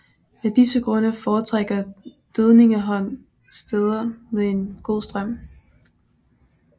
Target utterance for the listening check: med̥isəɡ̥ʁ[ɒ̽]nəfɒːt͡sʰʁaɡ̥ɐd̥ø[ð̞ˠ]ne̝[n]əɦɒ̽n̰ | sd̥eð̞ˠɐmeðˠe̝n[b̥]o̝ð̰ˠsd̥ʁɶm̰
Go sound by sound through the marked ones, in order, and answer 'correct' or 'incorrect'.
incorrect: ɔ̽, correct, incorrect: ŋ, incorrect: ɡ̥

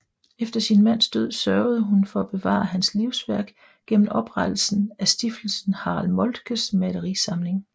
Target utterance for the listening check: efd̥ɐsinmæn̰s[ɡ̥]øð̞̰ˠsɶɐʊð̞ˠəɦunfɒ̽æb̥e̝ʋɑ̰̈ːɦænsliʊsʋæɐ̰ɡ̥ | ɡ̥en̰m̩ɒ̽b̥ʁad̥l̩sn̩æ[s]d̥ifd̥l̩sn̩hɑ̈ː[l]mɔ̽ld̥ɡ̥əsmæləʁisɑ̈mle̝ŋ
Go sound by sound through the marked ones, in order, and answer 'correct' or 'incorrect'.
incorrect: d̥, correct, correct

